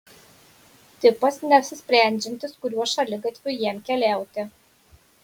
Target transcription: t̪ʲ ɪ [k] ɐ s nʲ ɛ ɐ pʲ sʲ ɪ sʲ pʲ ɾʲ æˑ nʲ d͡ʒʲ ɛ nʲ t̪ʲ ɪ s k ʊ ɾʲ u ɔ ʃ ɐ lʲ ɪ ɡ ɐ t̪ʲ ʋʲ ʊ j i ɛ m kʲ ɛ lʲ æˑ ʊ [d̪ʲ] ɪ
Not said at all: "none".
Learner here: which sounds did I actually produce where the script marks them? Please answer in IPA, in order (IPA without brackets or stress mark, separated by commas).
p, t̪ʲ